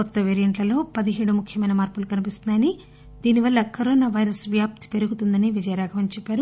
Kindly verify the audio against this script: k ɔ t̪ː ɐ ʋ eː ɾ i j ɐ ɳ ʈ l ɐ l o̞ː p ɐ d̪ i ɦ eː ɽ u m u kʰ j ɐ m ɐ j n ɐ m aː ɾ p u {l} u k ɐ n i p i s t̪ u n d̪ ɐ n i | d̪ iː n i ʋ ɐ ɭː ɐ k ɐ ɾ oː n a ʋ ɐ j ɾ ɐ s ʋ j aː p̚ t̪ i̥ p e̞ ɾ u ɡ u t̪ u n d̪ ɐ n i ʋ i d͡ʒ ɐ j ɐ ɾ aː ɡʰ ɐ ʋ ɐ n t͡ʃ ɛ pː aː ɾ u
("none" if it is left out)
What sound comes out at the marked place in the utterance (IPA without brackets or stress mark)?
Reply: l